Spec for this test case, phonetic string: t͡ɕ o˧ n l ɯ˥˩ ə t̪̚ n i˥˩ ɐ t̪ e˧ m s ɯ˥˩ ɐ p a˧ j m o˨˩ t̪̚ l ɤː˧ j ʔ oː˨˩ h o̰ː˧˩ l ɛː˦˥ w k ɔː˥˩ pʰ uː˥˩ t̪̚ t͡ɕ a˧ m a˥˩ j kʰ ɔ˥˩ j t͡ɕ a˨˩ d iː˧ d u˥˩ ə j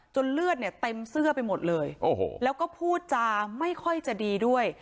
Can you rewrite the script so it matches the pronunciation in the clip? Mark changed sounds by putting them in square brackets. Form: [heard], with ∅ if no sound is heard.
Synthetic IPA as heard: t͡ɕ o˧ n l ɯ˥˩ ə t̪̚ n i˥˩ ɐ t̪ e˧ m s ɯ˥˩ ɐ p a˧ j m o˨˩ t̪̚ l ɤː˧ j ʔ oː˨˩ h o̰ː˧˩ l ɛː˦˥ w k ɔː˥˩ pʰ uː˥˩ t̪̚ t͡ɕ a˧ m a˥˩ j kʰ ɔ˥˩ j t͡ɕ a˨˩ d iː˧ d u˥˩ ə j